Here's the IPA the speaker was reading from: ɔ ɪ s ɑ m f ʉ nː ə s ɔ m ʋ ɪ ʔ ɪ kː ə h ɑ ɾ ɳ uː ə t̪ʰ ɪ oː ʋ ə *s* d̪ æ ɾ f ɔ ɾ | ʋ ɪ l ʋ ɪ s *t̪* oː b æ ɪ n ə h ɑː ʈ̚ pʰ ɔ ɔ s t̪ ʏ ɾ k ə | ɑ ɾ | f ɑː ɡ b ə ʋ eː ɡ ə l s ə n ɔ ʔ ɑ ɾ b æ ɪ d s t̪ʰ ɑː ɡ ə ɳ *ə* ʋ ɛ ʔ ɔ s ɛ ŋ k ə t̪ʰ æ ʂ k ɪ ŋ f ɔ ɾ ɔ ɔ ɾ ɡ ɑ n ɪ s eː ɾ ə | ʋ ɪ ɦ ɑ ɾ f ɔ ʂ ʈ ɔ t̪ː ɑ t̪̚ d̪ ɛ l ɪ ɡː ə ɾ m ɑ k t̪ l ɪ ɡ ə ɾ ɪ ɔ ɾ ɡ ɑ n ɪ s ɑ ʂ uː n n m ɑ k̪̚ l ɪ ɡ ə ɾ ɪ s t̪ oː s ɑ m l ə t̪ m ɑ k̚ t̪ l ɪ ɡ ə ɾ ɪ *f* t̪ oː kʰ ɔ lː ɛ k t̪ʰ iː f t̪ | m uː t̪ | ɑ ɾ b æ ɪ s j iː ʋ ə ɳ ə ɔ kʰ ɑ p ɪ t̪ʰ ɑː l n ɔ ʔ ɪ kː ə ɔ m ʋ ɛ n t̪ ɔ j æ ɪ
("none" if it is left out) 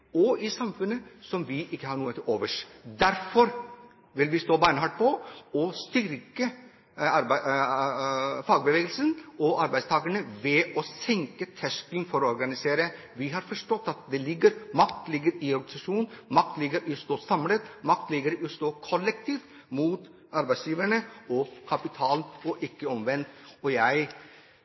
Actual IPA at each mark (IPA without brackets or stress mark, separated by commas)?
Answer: ʂ, t̪, ə, s